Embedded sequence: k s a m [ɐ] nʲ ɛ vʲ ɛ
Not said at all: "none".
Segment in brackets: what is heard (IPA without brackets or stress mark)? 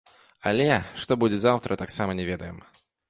ɐ